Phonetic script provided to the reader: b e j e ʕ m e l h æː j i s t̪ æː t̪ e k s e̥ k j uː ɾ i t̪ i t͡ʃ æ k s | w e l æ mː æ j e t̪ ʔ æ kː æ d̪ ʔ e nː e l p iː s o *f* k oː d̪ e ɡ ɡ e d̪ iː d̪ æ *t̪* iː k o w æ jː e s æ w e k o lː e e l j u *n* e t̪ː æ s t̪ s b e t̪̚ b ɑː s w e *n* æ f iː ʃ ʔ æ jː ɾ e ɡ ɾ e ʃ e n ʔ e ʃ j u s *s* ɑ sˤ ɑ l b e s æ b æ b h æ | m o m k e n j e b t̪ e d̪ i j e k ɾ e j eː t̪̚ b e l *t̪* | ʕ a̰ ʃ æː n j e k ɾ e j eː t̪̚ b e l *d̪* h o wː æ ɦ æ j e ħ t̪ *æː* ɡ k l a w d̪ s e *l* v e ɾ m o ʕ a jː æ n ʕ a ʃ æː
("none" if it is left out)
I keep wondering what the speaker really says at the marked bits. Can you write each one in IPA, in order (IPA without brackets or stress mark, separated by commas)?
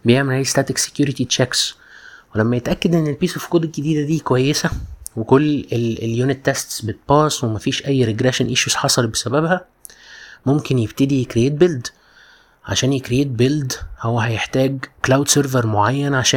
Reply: f, d̪, n, m, ħ, d̪, d̪, æː, ɾ